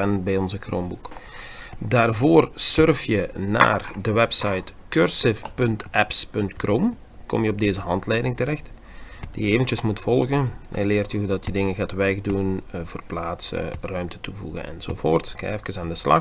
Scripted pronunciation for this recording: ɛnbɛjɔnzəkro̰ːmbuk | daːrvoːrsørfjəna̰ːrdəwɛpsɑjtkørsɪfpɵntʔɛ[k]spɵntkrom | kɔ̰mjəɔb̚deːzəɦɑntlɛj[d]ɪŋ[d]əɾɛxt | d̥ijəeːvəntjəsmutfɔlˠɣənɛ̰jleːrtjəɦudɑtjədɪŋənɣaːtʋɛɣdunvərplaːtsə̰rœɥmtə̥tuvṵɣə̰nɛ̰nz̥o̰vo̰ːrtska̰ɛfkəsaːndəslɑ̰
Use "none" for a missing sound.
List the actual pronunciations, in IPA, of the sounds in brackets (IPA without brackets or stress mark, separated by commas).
p, d, t